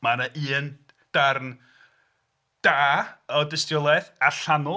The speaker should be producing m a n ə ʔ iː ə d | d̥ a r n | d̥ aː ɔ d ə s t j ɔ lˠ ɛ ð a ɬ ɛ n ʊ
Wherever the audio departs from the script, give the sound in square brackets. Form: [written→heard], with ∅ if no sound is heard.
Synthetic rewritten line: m a n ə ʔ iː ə [d→n] | d̥ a r n | d̥ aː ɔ d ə s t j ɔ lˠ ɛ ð a ɬ [ɛ→a] n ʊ